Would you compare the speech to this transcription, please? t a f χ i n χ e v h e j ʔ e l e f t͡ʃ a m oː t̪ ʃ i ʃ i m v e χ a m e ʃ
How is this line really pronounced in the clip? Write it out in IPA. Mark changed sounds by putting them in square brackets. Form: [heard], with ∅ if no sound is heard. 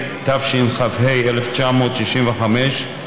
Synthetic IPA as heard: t a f [ʃ] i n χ [a] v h e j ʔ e l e f t͡ʃ a m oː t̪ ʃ i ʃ i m v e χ a m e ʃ